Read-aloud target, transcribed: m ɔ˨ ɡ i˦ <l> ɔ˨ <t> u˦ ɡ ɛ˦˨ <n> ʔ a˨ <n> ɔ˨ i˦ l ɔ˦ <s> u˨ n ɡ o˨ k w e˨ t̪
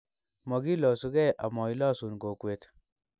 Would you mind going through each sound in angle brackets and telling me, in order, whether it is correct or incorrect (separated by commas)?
correct, incorrect, incorrect, incorrect, correct